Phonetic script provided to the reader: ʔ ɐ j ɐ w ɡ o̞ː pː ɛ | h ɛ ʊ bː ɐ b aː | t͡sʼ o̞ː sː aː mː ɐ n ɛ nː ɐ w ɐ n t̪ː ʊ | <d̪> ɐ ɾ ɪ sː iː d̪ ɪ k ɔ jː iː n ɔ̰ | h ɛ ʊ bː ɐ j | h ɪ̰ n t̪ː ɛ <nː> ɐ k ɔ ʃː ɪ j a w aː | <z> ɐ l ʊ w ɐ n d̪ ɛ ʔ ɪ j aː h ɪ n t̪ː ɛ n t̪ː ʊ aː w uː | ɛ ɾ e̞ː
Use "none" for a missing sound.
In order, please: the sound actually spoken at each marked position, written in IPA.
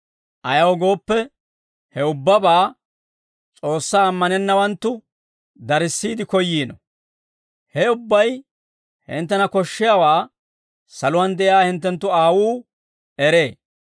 d̪, n, s

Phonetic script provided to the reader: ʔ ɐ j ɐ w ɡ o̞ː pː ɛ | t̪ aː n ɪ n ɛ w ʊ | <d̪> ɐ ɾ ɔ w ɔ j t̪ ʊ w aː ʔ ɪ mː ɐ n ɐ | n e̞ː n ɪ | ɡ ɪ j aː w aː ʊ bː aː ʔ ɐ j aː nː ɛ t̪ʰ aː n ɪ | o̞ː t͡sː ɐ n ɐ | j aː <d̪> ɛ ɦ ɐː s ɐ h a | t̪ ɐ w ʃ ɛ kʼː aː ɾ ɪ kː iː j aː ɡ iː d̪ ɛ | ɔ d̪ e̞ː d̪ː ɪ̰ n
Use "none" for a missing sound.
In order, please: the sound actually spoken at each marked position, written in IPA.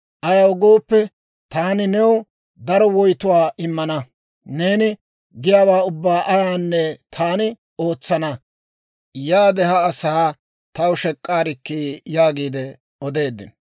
d̪, d̪

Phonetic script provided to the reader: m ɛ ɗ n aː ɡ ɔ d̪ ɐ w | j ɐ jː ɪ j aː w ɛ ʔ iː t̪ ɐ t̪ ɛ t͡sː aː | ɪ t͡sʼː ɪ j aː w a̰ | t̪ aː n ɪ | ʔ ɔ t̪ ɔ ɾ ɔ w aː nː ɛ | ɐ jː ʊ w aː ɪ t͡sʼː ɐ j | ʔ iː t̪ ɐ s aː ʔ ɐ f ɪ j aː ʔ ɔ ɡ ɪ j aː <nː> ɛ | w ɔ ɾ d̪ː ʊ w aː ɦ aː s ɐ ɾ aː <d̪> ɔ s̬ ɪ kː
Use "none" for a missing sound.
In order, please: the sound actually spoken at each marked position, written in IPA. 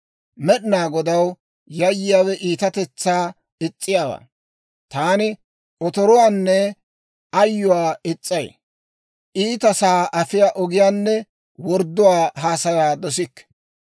nː, d̪

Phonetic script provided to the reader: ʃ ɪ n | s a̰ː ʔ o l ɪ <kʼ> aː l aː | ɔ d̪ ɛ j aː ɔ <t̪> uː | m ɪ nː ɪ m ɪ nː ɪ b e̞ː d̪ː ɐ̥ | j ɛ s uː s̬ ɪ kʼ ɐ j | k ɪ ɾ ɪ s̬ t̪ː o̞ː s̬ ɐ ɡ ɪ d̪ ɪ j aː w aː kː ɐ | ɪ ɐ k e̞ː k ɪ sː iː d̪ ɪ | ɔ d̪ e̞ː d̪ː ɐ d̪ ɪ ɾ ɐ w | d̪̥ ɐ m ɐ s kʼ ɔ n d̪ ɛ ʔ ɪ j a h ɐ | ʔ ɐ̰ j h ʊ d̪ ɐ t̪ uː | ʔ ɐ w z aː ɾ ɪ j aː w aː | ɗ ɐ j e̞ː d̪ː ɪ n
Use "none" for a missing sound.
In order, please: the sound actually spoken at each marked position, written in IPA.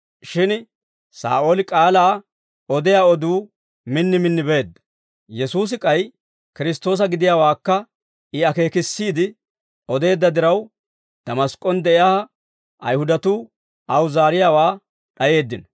kʼ, d̪

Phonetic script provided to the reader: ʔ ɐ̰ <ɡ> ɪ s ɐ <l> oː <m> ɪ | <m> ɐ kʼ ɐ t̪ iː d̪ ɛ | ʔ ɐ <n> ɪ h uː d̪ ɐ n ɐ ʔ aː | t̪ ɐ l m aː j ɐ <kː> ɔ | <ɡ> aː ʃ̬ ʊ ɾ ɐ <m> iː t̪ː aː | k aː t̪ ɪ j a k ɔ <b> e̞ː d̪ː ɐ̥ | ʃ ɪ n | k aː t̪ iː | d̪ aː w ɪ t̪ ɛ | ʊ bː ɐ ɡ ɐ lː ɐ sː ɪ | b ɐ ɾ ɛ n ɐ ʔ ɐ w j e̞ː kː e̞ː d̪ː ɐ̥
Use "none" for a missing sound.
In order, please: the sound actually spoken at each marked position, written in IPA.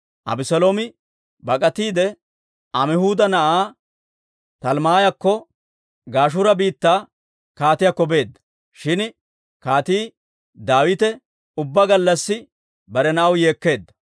b, l, m, b, m, kː, ɡ, b, b

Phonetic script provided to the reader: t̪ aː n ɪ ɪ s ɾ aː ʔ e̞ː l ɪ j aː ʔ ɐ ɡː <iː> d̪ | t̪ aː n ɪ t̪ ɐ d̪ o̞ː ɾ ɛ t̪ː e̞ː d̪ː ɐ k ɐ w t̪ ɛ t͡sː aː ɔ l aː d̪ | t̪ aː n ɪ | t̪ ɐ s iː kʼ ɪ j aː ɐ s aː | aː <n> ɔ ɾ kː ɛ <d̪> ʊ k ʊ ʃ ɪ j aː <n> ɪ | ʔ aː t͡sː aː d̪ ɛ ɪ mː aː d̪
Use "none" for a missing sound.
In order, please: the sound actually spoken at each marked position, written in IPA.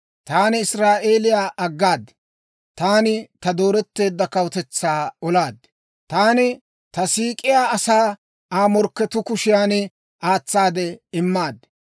aː, m, t̪, n

